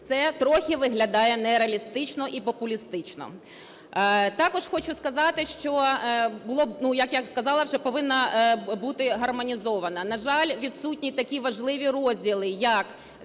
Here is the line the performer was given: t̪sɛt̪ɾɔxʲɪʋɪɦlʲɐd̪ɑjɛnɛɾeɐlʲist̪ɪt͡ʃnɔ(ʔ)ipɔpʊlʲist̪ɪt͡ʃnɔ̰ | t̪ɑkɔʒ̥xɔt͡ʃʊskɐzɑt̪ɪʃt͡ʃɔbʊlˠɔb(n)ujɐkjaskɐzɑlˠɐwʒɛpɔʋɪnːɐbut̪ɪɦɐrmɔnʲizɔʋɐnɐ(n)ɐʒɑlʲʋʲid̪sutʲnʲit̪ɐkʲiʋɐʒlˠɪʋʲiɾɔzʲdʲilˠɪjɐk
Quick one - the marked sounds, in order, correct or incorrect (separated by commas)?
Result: correct, correct, correct